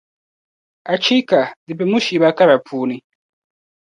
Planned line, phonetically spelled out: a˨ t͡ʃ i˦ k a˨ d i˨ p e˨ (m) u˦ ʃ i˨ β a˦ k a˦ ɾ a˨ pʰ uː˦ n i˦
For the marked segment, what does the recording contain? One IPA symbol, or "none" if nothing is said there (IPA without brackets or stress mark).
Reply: m